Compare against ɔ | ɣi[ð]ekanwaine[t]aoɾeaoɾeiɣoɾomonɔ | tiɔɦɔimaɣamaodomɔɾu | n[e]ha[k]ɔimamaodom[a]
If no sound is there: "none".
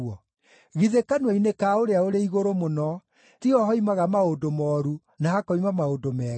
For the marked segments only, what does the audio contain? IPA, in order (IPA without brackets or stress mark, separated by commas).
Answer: ð, k, a, k, ɛ